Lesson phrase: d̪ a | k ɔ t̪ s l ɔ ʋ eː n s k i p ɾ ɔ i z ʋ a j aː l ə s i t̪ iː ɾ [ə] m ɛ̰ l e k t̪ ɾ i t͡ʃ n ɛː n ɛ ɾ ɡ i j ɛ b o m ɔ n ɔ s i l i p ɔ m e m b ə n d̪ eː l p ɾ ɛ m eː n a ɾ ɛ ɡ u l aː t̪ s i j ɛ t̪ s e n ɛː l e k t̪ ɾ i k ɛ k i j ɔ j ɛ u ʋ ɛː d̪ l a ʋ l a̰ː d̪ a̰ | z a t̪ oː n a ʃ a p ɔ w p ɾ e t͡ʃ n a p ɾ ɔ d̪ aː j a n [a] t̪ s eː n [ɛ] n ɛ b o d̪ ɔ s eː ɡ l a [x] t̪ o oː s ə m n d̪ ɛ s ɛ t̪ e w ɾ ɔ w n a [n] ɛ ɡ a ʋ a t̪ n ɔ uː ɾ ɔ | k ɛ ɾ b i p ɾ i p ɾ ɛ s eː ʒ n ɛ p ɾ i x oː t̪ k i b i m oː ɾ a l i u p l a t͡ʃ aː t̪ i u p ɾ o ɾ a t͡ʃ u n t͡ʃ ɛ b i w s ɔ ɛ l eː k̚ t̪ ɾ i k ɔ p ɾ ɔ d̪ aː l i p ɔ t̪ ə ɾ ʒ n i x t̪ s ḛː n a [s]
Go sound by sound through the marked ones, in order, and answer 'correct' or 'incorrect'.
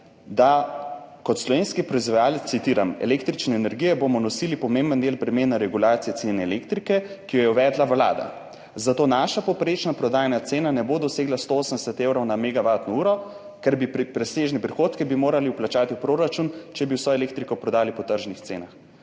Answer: incorrect, correct, incorrect, incorrect, incorrect, incorrect

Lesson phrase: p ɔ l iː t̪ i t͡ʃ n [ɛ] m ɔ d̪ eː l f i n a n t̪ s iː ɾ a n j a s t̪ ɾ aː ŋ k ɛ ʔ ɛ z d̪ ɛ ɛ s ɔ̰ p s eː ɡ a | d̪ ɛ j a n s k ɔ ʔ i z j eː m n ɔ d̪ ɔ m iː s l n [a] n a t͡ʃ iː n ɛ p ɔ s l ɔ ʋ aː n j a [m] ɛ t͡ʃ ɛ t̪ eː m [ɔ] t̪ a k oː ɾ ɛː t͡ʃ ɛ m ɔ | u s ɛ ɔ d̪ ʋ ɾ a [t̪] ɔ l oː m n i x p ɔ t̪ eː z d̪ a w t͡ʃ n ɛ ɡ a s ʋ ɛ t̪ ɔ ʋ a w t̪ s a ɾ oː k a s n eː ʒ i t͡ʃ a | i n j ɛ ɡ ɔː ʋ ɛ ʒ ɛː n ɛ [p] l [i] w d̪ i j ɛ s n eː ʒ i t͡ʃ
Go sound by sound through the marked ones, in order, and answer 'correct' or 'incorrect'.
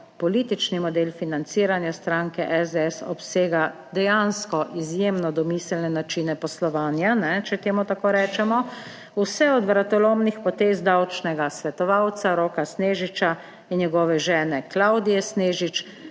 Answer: incorrect, incorrect, incorrect, incorrect, correct, incorrect, incorrect

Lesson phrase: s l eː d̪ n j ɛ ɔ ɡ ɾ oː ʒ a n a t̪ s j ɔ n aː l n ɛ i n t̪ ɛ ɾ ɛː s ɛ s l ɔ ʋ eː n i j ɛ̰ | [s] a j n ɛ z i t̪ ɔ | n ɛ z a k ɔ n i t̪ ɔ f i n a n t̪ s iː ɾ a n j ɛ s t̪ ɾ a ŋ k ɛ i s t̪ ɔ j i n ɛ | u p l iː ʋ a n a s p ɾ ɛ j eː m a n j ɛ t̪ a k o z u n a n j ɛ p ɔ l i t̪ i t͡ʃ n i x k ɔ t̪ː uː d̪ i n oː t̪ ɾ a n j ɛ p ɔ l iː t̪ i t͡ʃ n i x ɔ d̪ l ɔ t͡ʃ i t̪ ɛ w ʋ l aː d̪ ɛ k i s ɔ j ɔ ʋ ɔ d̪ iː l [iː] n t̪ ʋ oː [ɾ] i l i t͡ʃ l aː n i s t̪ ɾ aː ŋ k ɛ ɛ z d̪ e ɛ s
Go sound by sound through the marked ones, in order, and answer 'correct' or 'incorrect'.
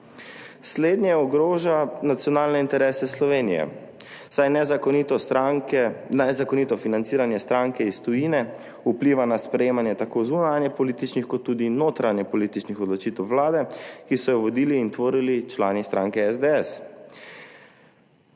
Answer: correct, correct, correct

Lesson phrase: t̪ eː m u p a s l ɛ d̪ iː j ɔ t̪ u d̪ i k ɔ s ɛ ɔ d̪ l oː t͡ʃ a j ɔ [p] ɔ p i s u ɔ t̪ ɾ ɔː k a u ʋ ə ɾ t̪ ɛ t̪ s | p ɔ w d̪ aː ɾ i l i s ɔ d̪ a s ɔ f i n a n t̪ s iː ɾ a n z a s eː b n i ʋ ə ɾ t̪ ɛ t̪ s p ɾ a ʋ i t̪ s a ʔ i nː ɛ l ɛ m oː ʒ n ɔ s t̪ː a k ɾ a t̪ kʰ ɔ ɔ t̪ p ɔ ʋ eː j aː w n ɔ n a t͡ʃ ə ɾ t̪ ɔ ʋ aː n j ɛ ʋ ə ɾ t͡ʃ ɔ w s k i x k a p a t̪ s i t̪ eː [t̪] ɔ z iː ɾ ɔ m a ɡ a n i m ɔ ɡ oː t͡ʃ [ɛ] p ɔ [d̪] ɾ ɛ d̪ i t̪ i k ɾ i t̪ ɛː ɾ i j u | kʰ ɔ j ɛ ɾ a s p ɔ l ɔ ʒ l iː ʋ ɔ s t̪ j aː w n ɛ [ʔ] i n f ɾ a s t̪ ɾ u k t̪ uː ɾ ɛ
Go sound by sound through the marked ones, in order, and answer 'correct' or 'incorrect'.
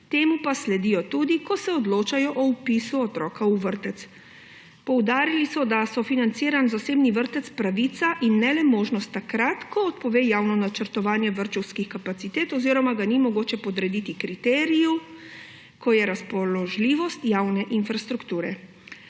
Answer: incorrect, correct, correct, correct, correct

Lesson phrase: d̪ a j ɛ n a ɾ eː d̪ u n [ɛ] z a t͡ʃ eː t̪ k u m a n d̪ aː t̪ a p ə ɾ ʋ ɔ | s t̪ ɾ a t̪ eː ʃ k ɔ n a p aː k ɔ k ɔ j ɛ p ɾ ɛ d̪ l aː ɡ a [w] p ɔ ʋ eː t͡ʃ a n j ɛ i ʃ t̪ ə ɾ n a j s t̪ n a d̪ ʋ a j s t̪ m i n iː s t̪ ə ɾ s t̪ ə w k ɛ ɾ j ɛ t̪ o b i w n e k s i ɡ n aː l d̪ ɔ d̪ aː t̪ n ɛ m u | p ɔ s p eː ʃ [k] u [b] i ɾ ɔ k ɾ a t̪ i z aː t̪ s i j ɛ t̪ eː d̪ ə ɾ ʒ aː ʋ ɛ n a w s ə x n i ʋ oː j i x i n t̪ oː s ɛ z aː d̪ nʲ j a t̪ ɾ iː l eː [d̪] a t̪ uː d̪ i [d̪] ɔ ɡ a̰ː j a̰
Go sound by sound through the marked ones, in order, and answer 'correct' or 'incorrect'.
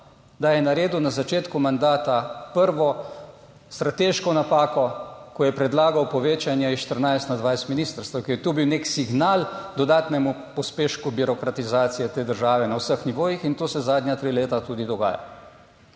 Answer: incorrect, correct, correct, correct, incorrect, correct

